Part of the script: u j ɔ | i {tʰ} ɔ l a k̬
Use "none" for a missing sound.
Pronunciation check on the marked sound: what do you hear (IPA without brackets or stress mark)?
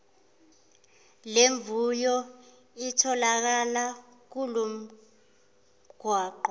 tʰ